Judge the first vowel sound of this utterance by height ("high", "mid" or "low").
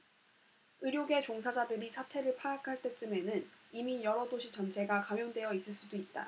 high